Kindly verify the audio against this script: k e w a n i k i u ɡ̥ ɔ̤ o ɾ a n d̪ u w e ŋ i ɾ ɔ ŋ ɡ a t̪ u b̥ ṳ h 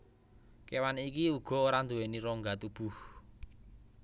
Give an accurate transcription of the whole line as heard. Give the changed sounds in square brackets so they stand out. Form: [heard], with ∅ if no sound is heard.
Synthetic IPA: k e w a n i k i u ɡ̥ ɔ̤ o ɾ a n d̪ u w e [n] i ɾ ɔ ŋ ɡ a t̪ u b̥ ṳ h